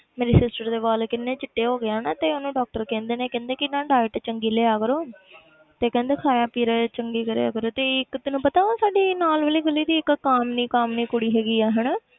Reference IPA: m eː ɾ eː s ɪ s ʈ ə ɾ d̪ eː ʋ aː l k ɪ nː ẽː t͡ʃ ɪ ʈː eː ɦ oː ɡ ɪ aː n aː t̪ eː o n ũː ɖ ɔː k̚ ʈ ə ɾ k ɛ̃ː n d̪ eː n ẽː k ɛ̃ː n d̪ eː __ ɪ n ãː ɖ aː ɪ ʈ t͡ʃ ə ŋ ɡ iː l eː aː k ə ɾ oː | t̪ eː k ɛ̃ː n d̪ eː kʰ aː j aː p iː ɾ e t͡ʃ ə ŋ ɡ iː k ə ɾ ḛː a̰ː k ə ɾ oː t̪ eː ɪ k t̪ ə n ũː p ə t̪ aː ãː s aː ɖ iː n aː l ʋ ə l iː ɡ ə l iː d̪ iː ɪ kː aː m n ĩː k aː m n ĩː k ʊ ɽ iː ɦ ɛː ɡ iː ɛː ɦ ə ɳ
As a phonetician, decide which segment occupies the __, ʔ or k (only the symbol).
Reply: k